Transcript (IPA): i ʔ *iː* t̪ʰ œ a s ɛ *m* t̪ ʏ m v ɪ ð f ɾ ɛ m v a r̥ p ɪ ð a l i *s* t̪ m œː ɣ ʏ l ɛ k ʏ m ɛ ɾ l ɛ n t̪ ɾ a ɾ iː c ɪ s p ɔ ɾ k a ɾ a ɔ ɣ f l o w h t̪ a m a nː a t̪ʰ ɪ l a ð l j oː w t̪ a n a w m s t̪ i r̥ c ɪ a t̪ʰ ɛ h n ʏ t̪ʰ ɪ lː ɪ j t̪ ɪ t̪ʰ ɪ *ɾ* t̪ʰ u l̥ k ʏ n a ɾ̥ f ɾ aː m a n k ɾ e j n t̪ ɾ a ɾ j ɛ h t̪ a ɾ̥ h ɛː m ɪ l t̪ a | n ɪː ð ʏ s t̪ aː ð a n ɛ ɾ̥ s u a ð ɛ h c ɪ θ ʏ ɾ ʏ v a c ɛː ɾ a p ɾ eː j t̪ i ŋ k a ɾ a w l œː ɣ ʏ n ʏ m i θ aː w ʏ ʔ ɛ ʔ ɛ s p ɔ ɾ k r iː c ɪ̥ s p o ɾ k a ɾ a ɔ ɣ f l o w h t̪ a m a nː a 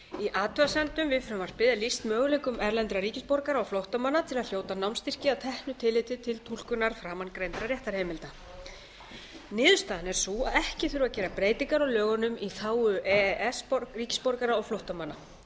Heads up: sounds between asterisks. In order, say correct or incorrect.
incorrect: aː, incorrect: n, correct, incorrect: l

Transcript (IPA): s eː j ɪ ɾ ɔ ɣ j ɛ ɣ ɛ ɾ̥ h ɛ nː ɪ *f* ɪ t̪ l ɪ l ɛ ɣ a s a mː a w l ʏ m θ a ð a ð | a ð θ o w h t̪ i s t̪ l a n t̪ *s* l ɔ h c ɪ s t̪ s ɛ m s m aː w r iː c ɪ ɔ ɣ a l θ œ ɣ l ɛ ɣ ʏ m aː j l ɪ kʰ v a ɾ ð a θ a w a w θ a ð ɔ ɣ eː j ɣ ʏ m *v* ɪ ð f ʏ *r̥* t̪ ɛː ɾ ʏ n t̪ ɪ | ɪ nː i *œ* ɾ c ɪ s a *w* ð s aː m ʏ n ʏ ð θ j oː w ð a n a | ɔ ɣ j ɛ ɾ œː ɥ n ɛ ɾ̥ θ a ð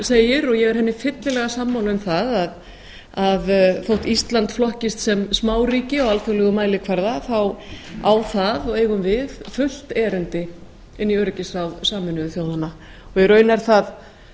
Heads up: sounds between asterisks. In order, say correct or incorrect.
correct, incorrect: f, correct, incorrect: l̥, correct, correct

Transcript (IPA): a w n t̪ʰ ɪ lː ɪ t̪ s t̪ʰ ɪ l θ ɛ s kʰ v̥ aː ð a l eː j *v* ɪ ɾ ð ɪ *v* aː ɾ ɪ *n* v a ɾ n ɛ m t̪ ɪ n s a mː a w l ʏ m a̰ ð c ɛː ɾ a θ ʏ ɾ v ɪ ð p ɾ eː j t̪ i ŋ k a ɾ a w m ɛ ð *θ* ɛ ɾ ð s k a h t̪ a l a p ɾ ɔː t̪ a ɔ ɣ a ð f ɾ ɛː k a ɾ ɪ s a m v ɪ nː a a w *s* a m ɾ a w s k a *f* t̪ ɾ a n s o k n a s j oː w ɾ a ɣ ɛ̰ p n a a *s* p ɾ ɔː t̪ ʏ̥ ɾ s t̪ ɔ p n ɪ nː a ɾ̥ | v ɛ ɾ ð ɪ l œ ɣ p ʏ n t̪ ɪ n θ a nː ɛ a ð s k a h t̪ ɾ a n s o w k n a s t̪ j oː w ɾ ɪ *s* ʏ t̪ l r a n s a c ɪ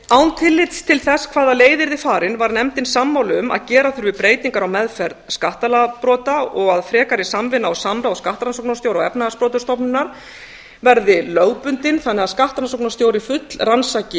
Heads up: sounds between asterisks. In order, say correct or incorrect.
incorrect: ð, incorrect: f, correct, incorrect: f, correct, incorrect: h, correct, incorrect: f

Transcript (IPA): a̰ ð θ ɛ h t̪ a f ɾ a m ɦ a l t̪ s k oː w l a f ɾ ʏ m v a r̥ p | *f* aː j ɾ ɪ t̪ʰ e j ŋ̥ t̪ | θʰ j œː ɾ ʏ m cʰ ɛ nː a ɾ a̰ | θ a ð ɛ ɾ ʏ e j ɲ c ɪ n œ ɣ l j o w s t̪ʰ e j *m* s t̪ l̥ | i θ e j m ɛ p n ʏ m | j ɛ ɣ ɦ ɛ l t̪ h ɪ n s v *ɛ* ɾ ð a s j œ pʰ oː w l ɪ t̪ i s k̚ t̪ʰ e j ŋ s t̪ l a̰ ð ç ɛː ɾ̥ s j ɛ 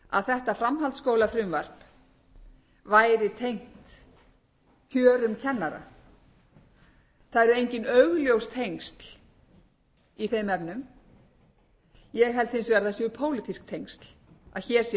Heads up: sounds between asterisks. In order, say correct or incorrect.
incorrect: v, incorrect: ŋ, correct

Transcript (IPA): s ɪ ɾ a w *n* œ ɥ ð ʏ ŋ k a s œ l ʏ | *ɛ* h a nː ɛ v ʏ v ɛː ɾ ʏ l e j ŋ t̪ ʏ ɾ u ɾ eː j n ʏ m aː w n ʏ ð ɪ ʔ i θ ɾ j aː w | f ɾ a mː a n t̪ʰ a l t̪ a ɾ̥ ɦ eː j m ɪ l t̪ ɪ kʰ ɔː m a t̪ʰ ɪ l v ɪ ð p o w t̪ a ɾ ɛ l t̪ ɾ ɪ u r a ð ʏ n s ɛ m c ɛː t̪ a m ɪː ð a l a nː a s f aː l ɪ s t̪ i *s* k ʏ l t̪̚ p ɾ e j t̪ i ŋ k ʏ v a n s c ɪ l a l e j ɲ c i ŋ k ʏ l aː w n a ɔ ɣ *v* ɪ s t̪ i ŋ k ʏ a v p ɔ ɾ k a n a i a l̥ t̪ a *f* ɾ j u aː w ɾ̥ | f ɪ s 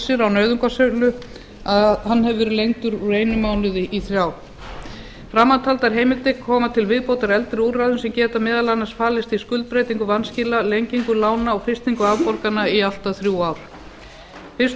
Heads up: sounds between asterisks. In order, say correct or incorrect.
correct, incorrect: a, correct, incorrect: f, incorrect: θ

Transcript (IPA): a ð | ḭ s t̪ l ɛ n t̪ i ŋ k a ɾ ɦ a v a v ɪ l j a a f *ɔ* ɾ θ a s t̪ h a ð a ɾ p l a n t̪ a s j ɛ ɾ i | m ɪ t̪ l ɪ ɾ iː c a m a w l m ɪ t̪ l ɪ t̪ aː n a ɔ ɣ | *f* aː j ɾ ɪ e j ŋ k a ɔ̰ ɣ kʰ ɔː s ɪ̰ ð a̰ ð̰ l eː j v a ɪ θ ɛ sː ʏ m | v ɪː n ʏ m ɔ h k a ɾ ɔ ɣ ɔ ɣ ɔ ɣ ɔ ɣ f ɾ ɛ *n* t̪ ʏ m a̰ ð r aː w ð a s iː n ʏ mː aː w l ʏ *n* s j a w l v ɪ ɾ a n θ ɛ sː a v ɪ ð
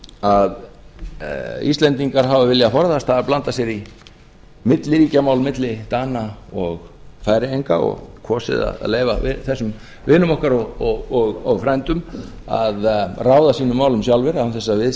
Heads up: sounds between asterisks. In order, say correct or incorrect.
correct, correct, correct, incorrect: m

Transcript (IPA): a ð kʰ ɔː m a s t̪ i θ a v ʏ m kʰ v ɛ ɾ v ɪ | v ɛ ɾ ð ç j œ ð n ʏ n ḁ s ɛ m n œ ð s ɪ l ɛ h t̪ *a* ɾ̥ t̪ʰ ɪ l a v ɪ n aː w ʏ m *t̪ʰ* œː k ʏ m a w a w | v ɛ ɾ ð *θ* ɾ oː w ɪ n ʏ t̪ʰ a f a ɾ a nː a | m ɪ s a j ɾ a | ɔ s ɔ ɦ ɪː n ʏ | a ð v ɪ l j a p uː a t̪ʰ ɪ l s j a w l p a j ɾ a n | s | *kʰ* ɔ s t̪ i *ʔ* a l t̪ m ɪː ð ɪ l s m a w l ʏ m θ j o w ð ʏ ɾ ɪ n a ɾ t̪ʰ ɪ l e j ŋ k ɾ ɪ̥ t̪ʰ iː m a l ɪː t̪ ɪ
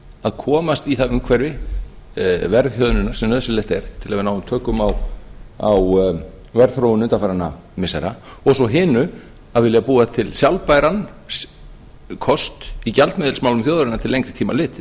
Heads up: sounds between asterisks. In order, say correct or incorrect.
incorrect: ɛ, correct, correct, correct, incorrect: c

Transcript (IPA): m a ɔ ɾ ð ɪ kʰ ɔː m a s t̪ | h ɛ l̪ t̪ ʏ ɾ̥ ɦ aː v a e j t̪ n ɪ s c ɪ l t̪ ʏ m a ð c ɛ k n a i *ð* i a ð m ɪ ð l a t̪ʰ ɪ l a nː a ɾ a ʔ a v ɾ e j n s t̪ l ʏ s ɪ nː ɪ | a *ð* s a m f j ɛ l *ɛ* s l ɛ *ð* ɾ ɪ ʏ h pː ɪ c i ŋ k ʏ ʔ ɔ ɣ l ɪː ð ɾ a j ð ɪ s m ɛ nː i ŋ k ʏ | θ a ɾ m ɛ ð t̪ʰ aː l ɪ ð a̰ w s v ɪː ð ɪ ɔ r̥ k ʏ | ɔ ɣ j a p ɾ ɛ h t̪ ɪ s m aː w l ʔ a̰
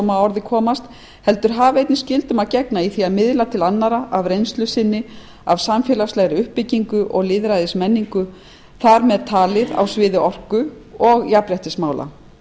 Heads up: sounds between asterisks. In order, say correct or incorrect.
incorrect: θ, incorrect: v, incorrect: a, incorrect: ɣ

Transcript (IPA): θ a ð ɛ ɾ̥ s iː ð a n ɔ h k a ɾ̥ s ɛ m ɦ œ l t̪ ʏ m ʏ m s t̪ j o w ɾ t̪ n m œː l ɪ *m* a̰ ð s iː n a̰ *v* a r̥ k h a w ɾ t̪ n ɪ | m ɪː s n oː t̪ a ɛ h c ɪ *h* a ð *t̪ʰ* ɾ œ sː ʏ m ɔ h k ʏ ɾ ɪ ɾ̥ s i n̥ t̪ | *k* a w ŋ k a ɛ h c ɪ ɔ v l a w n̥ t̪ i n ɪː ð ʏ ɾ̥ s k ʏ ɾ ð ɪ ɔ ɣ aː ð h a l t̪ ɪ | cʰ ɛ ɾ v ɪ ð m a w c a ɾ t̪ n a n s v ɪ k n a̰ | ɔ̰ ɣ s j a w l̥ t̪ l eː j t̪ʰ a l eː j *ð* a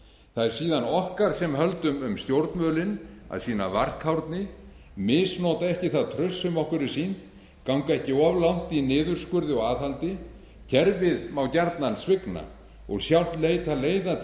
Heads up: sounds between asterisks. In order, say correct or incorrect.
incorrect: n, correct, incorrect: θ, correct, correct, correct

